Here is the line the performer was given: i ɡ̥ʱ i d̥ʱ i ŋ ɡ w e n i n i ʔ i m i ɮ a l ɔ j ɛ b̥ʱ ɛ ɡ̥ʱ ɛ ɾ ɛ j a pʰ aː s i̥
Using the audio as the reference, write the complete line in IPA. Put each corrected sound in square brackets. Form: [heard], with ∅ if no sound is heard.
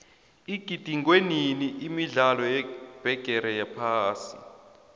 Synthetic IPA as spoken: i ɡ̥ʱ i d̥ʱ i ŋ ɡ w e n i n i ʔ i m i ɮ a l ɔ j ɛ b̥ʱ ɛ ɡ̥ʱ ɛ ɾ ɛ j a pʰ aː s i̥